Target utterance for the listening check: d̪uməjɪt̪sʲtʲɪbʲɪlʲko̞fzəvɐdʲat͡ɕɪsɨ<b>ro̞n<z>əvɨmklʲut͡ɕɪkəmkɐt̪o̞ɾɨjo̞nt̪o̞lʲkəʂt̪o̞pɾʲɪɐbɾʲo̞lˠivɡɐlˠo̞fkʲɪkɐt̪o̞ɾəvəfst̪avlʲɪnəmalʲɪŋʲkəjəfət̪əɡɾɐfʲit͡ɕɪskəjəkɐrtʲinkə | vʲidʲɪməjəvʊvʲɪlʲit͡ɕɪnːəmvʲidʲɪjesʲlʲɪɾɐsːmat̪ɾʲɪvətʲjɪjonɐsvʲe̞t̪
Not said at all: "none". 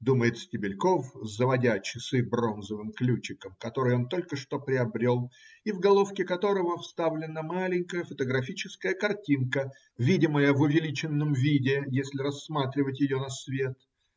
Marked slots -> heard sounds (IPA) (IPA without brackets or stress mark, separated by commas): b, z